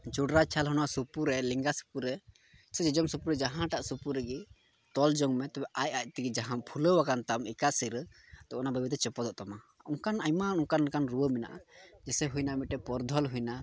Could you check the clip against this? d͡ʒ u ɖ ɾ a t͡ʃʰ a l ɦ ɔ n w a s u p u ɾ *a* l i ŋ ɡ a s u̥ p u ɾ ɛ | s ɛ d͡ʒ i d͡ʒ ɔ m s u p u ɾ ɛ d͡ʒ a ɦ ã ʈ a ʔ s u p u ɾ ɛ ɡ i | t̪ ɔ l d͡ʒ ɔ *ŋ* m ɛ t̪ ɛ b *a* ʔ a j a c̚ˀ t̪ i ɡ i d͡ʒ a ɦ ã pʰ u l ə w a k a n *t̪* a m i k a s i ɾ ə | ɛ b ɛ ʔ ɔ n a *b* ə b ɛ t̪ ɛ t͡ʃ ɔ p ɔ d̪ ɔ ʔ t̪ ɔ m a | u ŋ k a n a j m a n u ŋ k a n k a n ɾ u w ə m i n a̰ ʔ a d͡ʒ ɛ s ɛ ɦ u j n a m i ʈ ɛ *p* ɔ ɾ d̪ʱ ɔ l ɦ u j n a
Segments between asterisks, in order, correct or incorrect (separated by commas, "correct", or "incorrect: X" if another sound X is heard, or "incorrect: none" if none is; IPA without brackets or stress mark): incorrect: ɛ, correct, incorrect: ɛ, correct, correct, correct